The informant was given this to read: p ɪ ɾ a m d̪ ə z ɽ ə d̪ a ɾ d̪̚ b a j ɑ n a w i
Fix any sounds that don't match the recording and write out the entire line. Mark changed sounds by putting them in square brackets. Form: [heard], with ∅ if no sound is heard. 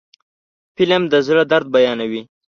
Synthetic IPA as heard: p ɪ [l] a m d̪ ə z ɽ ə d̪ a ɾ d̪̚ b a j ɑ n a w i